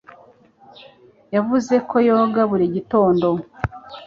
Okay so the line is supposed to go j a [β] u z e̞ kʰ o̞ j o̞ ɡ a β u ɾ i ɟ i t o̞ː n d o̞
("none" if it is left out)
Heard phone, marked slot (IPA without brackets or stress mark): v